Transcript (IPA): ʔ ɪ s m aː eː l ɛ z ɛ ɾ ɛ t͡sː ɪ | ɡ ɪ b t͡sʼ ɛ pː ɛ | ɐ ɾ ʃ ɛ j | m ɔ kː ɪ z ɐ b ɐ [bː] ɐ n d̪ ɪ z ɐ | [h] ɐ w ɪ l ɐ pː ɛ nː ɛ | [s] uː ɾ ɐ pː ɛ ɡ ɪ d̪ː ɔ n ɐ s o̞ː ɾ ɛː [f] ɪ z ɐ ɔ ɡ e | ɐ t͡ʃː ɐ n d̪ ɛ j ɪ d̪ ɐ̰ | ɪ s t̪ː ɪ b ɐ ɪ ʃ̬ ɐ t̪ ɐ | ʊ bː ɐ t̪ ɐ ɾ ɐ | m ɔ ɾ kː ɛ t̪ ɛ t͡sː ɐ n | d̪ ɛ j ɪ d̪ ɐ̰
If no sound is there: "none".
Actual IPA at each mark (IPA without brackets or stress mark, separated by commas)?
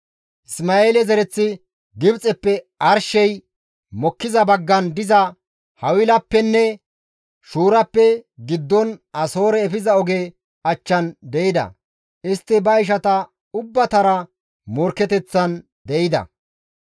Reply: ɡː, h, ʃ, f